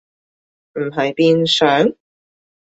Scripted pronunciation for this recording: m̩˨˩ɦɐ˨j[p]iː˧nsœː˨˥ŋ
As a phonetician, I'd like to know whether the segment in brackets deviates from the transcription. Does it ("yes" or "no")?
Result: no